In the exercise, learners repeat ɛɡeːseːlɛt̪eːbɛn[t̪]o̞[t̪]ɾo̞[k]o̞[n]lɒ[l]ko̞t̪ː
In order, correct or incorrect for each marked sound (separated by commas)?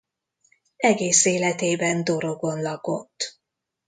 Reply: incorrect, incorrect, incorrect, correct, incorrect